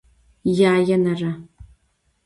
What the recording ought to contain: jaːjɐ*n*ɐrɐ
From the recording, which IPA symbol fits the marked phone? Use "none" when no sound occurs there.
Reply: n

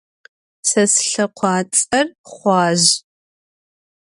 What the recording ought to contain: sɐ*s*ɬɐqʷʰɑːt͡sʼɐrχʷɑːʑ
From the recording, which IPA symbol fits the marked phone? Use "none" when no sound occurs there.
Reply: s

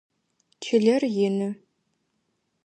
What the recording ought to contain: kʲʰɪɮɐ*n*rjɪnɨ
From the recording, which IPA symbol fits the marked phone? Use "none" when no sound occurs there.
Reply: none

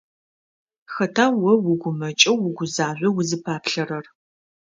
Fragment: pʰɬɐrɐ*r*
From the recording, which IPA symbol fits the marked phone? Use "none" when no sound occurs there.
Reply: r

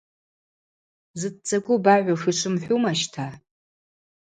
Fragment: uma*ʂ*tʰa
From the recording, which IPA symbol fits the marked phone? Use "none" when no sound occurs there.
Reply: ʃ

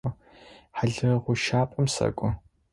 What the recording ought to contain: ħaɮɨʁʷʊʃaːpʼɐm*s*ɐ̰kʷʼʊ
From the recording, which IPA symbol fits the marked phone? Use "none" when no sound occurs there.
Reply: s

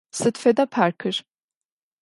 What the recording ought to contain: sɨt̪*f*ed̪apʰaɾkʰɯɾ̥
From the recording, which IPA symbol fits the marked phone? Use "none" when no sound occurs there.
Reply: f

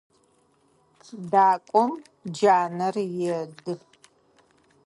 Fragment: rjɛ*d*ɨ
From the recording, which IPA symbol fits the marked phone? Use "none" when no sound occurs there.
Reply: d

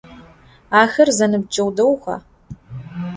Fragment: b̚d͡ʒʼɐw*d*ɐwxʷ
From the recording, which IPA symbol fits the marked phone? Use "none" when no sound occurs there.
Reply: d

